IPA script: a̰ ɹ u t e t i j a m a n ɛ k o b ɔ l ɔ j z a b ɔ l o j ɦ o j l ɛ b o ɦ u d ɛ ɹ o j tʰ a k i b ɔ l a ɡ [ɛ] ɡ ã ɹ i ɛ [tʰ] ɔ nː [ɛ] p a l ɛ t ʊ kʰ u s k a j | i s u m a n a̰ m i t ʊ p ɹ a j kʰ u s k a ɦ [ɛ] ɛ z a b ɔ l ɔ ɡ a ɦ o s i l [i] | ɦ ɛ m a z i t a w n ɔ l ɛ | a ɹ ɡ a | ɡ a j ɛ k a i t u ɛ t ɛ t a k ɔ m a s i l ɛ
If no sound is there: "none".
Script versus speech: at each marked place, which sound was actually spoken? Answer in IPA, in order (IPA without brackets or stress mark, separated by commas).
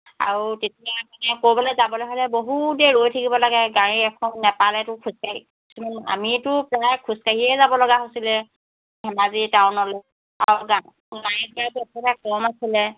ɛ, kʰ, ɛ, i, ɛ